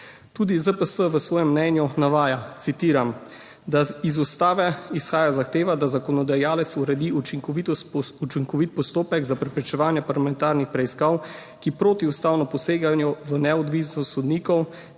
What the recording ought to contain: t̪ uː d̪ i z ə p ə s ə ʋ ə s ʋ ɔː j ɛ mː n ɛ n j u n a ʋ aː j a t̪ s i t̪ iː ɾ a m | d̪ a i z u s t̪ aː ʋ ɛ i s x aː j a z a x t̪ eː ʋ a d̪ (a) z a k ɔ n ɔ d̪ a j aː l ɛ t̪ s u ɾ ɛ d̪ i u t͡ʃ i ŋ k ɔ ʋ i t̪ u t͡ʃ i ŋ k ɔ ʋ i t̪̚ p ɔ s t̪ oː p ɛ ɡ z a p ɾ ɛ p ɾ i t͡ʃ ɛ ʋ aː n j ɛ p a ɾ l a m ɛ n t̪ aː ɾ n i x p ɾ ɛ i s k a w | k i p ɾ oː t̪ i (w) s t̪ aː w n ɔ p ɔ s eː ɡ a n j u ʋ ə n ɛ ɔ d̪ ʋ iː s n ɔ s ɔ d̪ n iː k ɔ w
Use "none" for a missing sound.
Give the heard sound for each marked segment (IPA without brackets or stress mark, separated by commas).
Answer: a, u